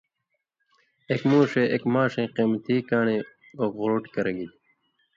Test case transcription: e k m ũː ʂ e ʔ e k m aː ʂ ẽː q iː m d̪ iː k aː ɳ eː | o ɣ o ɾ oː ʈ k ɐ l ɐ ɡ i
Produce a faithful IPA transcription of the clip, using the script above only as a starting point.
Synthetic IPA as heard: e k m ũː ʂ e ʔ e k m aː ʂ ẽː q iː m t̪ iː k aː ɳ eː | o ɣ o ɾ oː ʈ k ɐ ɾ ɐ ɡ i